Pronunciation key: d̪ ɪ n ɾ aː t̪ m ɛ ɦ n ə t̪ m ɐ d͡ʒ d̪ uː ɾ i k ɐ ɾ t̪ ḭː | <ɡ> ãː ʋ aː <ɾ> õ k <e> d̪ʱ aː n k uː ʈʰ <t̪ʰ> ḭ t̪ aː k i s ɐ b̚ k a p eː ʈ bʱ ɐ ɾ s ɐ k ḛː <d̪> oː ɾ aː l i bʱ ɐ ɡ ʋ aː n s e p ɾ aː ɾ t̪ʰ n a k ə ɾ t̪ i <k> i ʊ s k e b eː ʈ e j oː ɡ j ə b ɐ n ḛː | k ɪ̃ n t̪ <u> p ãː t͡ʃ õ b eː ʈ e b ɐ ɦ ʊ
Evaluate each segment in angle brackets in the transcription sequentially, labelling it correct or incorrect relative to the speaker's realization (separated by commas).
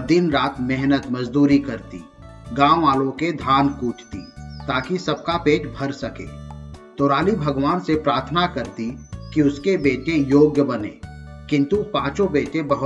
correct, incorrect, correct, incorrect, incorrect, correct, correct